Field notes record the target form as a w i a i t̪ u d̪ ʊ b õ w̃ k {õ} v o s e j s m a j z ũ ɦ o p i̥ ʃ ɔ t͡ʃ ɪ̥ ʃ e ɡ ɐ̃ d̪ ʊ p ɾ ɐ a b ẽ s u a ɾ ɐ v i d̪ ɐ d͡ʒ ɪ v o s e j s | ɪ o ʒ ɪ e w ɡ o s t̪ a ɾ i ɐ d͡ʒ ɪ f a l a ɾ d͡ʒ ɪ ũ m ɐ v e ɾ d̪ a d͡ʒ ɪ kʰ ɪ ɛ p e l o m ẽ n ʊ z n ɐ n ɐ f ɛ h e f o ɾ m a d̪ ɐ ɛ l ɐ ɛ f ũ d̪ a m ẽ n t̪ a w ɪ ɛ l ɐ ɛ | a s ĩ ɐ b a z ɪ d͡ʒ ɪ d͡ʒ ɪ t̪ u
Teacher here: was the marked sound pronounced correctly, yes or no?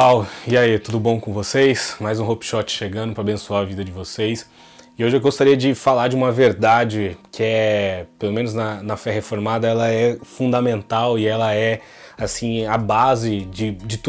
yes